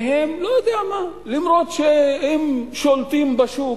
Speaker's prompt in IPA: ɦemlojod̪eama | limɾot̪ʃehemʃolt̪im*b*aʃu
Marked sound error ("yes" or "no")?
no